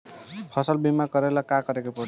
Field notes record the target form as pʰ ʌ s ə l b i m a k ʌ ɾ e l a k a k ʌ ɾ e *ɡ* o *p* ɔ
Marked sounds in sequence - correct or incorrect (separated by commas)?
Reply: incorrect, correct